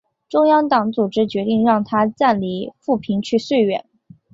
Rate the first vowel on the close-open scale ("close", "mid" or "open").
close